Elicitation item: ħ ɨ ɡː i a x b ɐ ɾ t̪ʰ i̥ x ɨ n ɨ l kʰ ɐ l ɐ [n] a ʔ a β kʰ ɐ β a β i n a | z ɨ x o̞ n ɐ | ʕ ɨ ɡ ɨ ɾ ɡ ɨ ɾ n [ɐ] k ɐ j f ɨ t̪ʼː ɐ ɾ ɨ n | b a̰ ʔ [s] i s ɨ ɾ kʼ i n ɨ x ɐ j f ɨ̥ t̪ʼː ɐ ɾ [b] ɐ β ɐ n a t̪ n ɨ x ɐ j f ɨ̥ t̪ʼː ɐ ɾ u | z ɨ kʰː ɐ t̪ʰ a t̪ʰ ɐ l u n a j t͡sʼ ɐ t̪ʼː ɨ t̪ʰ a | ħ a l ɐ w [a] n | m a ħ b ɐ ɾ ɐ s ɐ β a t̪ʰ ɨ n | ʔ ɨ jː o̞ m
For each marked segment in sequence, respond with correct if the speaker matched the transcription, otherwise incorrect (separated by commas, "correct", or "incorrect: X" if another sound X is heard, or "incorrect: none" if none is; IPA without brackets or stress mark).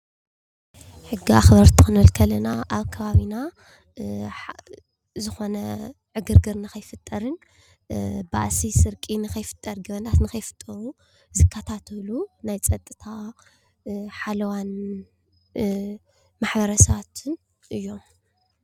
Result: correct, incorrect: a, correct, incorrect: ɡ, correct